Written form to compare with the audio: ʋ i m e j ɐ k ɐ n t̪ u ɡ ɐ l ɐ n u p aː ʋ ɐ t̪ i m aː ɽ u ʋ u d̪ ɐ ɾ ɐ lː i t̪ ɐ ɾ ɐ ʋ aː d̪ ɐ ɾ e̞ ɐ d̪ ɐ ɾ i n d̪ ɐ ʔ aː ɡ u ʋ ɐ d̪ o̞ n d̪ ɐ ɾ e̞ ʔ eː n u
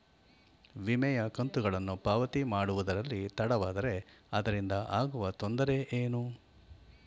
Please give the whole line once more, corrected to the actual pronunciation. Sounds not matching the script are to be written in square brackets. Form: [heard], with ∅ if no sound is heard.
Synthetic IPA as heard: ʋ i m [ɛ] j ɐ k ɐ n t̪ u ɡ ɐ [ɭ] ɐ [nː] u p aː ʋ ɐ t̪ i m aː ɽ u ʋ u d̪ ɐ ɾ ɐ lː i t̪ ɐ [ɽ] ɐ ʋ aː d̪ ɐ ɾ e̞ ɐ d̪ ɐ ɾ i n d̪ ɐ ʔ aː ɡ u ʋ ɐ [t̪] o̞ n d̪ ɐ ɾ e̞ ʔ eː n u